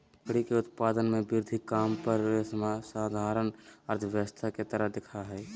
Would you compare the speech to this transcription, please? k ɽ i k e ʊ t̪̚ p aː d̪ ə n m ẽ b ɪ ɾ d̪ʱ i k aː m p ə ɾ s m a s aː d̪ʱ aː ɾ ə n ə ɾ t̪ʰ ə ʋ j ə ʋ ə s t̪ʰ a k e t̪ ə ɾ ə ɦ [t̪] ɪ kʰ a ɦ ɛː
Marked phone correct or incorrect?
incorrect